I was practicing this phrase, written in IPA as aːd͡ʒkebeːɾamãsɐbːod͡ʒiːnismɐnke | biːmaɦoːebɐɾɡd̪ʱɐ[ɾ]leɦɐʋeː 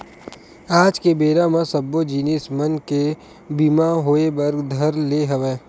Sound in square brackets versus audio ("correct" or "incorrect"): correct